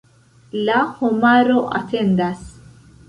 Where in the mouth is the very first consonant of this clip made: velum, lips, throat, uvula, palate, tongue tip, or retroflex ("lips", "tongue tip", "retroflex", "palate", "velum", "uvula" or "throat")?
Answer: tongue tip